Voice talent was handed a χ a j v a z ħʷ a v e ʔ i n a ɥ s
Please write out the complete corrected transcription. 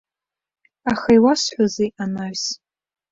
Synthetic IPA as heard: a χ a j w a s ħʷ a z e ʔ a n a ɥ s